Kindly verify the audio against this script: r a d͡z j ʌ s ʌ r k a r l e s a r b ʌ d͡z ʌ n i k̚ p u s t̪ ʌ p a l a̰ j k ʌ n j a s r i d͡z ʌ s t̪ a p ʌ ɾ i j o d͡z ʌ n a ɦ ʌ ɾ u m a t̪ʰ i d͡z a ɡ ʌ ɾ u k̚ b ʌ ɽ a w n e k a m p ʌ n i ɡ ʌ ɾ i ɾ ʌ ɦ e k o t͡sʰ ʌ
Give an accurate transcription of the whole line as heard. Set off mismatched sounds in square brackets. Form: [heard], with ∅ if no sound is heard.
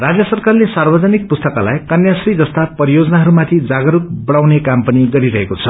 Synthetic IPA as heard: r a d͡z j ʌ s ʌ r k a r l e s a r b ʌ d͡z ʌ n i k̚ p u s t̪ ʌ [k] a l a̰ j k ʌ n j a s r i d͡z ʌ s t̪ a p ʌ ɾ i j o d͡z ʌ n a ɦ ʌ ɾ u m a t̪ʰ i d͡z a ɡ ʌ ɾ u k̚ b ʌ ɽ a w n e k a m p ʌ n i ɡ ʌ ɾ i ɾ ʌ ɦ e k o t͡sʰ ʌ